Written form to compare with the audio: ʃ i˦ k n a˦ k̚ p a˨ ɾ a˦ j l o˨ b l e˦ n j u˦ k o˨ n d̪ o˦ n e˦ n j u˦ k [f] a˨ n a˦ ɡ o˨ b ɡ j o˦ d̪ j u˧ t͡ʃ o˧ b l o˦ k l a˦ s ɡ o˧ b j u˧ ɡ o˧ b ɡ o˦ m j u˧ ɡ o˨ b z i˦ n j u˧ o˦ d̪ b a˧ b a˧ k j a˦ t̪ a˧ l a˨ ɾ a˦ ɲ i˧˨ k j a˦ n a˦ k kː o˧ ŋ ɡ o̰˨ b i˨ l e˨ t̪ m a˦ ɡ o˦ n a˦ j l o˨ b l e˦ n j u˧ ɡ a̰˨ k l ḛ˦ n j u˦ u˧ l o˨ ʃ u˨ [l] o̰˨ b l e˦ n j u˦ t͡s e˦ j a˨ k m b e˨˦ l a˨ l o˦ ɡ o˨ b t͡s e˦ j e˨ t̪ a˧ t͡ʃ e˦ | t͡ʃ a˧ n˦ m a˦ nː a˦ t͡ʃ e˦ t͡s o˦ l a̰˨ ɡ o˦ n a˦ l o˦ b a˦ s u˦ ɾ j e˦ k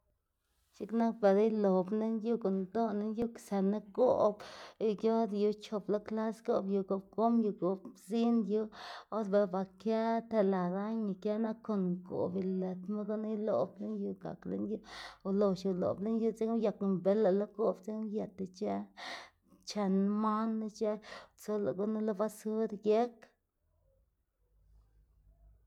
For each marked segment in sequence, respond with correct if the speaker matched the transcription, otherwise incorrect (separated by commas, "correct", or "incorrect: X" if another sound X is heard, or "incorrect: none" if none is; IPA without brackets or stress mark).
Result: incorrect: s, correct